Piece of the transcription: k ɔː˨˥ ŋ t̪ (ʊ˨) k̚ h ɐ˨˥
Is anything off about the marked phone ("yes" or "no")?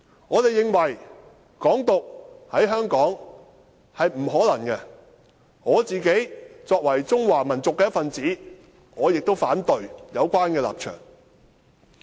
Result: no